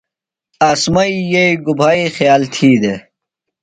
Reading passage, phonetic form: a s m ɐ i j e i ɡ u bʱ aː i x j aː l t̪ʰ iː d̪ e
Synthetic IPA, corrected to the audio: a s m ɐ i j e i ɡ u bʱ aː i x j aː l t̪ʰ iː d̪ e